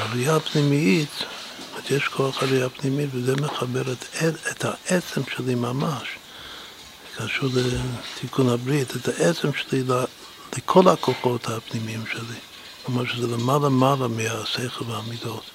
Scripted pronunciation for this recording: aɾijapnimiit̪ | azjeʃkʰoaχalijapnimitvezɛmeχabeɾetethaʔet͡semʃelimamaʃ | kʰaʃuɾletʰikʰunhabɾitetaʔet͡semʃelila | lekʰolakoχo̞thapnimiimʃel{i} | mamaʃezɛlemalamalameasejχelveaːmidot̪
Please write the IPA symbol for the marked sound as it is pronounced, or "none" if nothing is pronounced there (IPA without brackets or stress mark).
i